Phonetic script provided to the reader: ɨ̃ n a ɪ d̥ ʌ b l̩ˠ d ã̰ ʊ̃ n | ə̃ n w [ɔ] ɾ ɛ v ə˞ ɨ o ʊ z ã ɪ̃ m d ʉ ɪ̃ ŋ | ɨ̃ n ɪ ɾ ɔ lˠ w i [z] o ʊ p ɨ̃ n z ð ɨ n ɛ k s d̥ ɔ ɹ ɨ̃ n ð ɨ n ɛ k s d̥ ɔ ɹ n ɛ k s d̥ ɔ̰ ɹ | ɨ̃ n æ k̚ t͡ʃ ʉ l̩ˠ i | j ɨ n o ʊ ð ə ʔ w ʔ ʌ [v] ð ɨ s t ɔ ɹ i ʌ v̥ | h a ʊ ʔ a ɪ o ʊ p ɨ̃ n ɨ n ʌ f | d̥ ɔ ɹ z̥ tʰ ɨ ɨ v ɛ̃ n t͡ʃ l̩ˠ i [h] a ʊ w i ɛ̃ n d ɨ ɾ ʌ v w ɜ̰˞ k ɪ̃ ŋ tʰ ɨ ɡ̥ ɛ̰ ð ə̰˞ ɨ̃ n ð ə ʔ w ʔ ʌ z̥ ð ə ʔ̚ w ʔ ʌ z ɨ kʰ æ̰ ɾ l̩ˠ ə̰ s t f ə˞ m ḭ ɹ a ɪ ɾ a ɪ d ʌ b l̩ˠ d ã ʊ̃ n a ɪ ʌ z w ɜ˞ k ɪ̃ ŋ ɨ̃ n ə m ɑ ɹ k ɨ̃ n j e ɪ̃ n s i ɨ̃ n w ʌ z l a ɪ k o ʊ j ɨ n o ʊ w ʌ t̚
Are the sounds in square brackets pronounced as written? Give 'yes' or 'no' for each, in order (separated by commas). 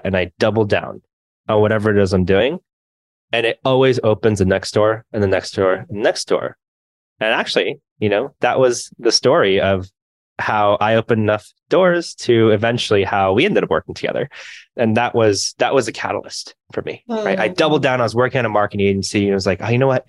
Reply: no, yes, no, yes